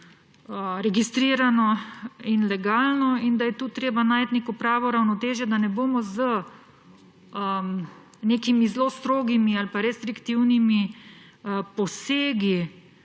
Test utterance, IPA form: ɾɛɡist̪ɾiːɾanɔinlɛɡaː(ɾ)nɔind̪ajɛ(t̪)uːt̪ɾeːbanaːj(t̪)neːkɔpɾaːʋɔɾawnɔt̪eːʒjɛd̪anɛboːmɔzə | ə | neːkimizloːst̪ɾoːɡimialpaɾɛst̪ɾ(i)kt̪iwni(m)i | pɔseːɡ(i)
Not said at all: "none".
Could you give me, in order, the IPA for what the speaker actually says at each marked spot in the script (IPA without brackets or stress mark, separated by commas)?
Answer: l, t̪, t̪, i, m, i